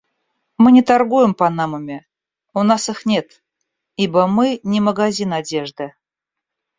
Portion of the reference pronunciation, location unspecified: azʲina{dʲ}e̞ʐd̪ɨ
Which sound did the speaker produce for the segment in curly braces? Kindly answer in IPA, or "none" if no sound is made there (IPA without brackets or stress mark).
dʲ